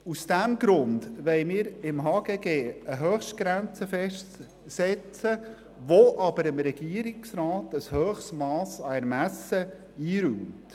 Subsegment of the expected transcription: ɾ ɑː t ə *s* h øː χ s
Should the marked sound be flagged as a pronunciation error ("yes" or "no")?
no